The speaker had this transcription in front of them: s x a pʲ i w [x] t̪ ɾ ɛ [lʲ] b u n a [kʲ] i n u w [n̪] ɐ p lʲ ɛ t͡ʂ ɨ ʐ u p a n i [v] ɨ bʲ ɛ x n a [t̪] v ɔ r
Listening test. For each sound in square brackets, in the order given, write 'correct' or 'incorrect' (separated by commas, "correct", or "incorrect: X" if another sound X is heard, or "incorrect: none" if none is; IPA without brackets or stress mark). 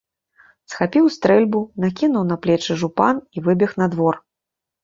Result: incorrect: s, correct, correct, correct, correct, incorrect: d̪